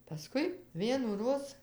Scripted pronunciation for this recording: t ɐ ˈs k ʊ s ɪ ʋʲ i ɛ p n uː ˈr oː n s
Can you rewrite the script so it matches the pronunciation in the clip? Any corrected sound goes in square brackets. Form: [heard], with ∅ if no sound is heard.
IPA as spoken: [p] ɐ ˈs k ʊ [∅] ɪ ʋʲ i ɛ [∅] n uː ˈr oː [∅] s